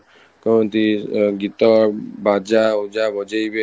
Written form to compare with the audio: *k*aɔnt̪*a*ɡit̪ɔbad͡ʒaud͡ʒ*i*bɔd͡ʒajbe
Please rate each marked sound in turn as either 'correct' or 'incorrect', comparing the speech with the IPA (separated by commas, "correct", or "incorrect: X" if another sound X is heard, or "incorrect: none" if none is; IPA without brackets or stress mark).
correct, incorrect: i, incorrect: a